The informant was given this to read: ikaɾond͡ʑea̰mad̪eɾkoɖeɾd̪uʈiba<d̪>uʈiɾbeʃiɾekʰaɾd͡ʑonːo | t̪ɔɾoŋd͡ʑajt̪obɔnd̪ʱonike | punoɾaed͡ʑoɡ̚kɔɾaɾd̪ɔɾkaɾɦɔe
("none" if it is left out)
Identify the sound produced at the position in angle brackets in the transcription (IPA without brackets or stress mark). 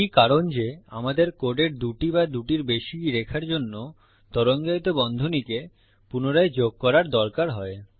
d̪